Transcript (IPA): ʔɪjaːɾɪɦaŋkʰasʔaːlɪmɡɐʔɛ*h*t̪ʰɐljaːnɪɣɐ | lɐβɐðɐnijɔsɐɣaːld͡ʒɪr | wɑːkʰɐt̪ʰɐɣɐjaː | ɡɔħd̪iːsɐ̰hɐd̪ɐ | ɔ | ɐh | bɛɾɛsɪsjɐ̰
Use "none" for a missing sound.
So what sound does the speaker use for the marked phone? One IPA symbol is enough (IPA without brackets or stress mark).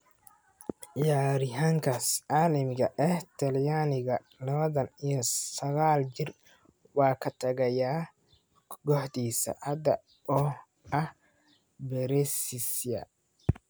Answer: h